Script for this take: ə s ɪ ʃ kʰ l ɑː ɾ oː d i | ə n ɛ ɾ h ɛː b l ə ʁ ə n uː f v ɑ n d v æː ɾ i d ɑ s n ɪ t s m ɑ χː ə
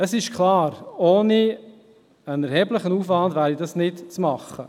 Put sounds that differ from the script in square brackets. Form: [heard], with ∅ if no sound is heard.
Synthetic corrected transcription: ə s ɪ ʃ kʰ l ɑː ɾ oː [n] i | ə n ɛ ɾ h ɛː b l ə [χ] ə n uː f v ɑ n d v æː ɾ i d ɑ s n ɪ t [t͡s] m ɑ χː ə